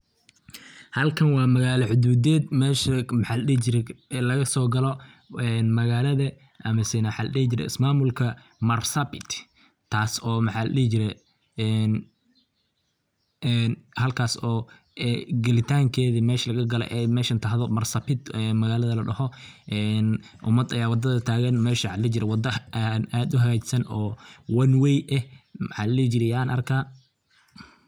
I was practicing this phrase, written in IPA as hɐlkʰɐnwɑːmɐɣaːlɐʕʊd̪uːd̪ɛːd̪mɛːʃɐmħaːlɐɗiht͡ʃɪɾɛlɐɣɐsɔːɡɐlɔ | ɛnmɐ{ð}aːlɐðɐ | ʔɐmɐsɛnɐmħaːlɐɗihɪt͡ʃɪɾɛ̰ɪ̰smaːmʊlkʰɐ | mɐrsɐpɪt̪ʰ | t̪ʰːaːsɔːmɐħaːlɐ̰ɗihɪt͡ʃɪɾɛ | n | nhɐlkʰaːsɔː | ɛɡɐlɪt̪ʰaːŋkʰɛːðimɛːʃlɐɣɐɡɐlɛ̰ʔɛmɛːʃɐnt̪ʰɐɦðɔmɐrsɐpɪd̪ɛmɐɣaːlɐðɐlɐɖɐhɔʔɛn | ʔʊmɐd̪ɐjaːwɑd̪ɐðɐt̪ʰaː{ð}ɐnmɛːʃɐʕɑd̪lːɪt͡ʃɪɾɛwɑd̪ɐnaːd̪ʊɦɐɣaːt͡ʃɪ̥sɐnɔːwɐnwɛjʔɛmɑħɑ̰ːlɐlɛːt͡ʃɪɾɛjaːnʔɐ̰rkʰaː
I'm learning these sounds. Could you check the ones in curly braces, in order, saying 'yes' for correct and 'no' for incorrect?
no, no

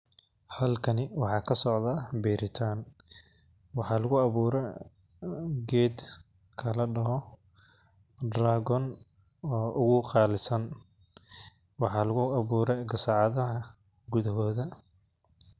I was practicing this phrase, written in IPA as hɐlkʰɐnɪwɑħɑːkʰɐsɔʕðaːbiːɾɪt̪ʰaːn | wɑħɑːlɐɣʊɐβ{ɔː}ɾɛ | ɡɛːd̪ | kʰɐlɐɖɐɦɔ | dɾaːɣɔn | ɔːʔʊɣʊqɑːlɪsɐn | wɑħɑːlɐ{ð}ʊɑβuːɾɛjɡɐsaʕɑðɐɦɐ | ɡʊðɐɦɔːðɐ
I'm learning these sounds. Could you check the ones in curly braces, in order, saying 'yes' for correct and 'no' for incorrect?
no, no

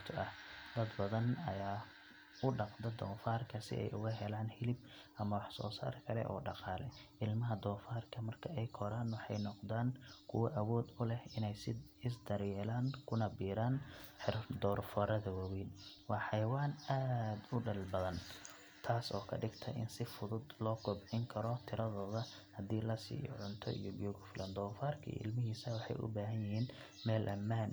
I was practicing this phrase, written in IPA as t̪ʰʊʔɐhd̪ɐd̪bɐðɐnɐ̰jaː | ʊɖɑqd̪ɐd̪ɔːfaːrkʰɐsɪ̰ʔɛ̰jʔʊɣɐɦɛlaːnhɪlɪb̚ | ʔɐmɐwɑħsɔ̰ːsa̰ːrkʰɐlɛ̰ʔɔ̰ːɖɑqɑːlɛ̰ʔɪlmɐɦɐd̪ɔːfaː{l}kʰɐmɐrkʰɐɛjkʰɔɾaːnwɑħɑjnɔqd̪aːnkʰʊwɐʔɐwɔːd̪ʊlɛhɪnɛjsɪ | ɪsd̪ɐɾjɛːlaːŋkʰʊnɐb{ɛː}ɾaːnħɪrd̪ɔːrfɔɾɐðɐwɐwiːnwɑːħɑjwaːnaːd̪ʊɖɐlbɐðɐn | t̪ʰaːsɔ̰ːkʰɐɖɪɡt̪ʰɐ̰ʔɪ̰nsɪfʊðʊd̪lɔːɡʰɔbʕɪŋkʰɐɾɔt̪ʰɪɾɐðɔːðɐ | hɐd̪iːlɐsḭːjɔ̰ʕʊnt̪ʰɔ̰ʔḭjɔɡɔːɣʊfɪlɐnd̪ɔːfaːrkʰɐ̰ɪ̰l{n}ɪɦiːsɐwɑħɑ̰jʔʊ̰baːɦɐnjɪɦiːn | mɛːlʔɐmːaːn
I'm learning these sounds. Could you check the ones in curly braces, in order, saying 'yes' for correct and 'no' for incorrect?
no, no, no

